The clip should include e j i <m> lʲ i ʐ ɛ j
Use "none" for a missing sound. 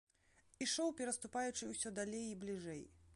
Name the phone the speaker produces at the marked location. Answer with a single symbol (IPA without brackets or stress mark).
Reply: b